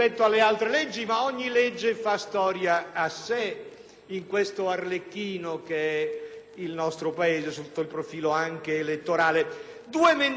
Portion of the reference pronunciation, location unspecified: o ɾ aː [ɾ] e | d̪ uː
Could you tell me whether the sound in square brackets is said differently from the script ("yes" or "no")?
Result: yes